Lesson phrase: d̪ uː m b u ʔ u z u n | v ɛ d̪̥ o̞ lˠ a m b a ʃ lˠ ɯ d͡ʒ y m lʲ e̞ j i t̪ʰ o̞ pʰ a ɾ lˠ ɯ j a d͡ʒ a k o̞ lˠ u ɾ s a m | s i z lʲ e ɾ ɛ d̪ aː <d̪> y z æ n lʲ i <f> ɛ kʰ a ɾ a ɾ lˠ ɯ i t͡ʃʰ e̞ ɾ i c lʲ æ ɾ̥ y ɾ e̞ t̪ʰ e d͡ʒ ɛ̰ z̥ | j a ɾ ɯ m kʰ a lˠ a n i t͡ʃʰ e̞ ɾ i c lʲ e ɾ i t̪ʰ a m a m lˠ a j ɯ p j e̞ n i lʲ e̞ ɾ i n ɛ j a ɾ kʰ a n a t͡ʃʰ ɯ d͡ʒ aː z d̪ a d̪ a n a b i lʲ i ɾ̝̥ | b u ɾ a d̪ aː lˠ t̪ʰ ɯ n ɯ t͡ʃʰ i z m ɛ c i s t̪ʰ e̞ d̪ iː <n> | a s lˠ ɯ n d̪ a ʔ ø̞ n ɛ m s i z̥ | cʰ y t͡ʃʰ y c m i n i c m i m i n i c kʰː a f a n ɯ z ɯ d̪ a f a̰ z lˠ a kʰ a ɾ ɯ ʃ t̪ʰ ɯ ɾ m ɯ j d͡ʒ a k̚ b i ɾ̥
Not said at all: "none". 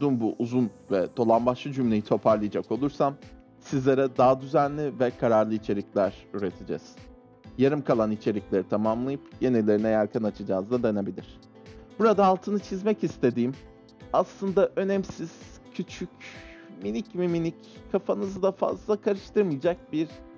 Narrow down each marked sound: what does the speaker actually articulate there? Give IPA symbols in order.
d̪, v, m

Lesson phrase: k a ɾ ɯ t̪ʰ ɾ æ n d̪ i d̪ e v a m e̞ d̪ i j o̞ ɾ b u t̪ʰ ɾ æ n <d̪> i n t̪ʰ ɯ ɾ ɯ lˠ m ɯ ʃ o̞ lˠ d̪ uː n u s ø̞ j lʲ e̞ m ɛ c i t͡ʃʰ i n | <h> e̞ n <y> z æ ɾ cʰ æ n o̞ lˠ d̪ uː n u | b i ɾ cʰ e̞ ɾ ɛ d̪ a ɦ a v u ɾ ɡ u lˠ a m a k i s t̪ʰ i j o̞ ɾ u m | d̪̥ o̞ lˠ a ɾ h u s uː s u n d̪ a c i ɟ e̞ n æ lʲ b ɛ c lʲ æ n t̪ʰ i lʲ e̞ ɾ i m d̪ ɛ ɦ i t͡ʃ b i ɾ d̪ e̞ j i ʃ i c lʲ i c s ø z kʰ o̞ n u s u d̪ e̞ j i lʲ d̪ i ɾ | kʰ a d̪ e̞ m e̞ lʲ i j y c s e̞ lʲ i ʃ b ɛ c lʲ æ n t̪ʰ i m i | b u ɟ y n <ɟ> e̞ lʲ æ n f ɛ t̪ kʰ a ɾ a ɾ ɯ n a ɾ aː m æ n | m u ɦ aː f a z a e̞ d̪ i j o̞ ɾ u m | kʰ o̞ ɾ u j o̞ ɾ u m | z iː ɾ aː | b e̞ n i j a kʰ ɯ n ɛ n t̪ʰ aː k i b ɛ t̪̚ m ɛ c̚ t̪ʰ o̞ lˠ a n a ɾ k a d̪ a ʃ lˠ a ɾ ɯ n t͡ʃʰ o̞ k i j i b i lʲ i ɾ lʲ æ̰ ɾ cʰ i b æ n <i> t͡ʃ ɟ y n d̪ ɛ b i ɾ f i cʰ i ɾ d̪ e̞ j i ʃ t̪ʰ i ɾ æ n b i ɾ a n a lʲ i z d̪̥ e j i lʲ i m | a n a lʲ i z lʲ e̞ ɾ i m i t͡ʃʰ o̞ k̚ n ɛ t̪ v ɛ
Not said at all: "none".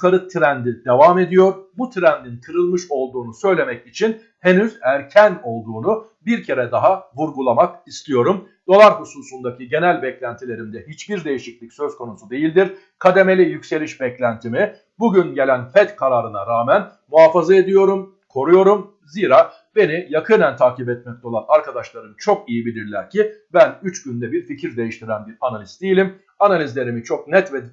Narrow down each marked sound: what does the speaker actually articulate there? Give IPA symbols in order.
d̪, h, y, ɟ, y

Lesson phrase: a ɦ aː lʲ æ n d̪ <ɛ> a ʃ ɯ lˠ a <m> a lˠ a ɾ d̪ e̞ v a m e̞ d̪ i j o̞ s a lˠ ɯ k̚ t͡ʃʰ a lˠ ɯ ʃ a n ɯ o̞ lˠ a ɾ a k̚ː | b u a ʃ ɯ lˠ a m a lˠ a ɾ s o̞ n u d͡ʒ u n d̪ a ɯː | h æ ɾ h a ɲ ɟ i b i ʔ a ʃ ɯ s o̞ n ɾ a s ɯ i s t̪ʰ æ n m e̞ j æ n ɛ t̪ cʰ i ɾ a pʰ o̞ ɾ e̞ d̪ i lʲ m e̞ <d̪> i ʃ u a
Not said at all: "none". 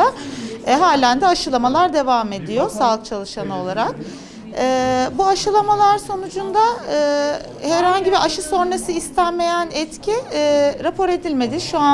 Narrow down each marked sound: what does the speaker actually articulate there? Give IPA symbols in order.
ɛ, m, d̪

